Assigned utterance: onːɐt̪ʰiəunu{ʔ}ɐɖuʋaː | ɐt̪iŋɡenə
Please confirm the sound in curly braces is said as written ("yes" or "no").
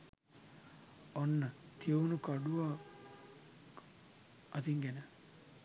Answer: no